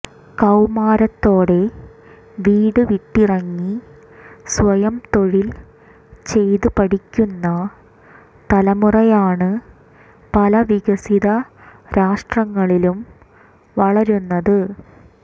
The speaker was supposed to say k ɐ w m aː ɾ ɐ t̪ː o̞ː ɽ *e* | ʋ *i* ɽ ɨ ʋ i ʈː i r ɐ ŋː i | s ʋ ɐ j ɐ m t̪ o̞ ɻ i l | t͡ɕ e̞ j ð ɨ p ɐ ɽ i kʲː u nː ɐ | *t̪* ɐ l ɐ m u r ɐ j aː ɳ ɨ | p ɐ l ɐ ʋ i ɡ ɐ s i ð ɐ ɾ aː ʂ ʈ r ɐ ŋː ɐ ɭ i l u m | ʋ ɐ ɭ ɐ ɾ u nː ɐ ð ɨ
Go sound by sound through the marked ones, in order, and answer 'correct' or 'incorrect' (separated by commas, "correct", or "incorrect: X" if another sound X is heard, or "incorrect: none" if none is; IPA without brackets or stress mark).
correct, incorrect: iː, correct